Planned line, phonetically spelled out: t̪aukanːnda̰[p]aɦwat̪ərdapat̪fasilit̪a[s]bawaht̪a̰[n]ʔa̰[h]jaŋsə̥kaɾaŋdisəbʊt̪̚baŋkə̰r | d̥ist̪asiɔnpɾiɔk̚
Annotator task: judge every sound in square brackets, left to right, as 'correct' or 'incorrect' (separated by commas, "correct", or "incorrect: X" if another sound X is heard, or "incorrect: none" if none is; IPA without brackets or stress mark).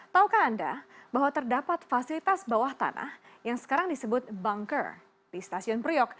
incorrect: b, correct, correct, correct